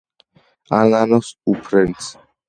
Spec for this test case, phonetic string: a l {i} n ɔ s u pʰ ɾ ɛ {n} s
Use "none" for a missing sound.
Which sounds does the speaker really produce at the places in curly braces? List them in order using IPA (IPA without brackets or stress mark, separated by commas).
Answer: a, n